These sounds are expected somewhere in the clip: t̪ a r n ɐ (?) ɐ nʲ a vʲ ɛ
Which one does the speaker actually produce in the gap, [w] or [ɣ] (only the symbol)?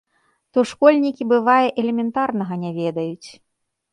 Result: ɣ